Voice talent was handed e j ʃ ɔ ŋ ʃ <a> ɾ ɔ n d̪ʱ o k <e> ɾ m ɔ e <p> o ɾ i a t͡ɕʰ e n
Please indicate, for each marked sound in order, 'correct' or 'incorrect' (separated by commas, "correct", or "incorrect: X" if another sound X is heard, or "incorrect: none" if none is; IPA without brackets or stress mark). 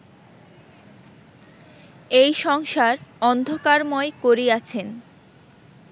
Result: correct, incorrect: a, incorrect: k